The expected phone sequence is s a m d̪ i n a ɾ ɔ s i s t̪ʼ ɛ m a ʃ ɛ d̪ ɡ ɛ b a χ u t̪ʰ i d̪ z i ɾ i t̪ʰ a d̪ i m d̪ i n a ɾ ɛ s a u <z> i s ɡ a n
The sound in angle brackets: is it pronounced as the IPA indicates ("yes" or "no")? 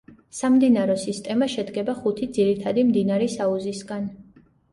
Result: yes